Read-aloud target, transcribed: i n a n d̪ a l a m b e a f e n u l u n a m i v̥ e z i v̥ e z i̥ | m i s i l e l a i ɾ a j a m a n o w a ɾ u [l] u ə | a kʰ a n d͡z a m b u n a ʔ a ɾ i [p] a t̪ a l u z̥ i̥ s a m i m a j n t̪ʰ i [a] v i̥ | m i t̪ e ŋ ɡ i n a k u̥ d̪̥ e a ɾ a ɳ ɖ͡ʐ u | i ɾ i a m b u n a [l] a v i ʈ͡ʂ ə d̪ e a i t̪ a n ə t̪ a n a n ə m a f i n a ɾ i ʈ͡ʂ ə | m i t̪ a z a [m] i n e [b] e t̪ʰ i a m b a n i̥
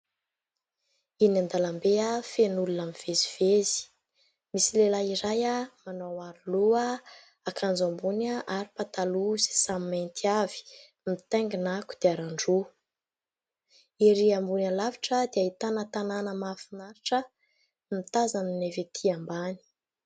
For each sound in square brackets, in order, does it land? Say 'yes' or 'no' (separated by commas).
yes, yes, yes, yes, no, no